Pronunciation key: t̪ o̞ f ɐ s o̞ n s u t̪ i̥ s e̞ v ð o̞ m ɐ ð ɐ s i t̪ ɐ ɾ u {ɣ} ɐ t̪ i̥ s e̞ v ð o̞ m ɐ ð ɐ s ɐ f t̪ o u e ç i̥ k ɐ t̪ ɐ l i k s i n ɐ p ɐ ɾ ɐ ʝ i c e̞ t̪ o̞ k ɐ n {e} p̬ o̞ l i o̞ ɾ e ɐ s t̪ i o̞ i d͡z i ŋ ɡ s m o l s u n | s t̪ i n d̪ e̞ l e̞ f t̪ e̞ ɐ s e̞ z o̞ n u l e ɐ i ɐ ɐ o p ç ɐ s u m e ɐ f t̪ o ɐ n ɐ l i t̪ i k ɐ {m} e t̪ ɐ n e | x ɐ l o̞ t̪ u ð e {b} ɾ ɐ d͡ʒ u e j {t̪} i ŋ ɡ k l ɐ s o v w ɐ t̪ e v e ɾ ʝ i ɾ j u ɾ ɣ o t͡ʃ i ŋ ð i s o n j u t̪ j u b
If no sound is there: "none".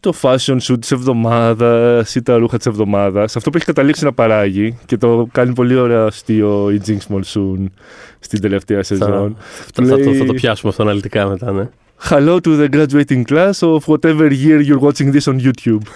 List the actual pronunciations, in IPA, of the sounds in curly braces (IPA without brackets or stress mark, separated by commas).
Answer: x, i, m, ɡ, t̪